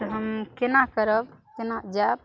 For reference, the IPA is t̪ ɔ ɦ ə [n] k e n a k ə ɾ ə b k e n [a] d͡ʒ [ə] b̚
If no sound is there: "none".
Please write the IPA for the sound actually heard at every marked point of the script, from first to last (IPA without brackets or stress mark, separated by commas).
m, a, a